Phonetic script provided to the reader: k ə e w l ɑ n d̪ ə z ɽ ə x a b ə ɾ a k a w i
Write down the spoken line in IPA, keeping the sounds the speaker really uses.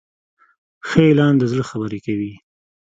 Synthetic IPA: x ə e l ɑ n d̪ ə z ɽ ə x a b ə ɾ e k a w i